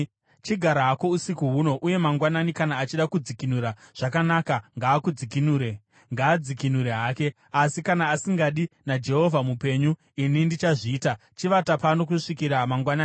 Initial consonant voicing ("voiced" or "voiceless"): voiceless